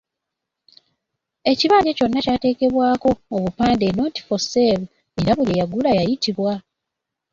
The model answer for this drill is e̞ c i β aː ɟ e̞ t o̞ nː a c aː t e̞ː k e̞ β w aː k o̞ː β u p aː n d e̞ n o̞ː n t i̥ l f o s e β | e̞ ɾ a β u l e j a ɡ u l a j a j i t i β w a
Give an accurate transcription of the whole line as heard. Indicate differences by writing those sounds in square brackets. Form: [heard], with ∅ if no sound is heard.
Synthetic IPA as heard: e̞ c i β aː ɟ e̞ [c] o̞ nː a c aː t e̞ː k e̞ β w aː k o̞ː β u p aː n d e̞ n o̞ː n t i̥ [∅] f o s e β | e̞ ɾ a β u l e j a ɡ u l a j a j i t i β w a